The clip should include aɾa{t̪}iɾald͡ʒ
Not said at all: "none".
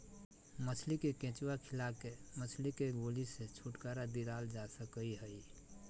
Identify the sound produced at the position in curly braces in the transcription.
d̪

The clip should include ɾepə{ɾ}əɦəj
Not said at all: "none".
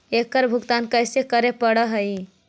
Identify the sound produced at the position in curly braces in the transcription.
ɽ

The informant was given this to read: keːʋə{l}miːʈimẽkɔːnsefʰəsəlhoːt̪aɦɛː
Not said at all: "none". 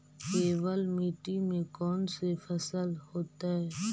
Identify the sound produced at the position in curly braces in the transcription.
l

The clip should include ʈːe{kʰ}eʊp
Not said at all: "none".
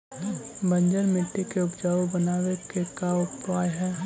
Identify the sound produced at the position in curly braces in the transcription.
k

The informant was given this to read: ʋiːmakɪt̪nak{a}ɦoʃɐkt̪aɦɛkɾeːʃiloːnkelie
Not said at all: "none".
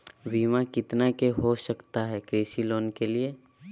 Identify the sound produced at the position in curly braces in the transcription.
e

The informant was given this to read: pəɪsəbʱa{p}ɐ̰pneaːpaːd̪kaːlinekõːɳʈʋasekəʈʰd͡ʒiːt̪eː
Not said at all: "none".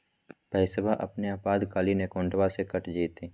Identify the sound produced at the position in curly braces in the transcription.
ʔ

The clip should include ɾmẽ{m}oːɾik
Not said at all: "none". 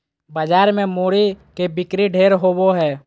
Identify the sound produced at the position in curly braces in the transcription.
m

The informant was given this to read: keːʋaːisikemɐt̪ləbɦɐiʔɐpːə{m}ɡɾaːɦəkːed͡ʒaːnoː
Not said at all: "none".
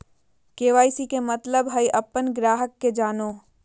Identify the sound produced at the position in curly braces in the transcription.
n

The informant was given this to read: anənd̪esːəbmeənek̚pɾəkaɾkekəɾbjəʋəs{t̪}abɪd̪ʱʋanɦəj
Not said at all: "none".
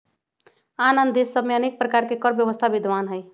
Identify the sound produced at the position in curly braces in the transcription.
t̪ʰ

